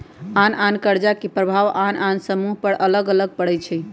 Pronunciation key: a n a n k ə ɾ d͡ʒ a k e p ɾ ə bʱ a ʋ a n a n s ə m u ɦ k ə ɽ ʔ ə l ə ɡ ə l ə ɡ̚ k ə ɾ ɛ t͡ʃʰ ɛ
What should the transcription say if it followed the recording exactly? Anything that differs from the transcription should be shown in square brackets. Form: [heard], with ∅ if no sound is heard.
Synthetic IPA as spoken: a n a n k ə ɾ d͡ʒ a k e p ɾ ə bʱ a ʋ a n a n s ə m u ɦ [p] ə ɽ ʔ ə l ə ɡ ə l ə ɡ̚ [p] ə [ɽ] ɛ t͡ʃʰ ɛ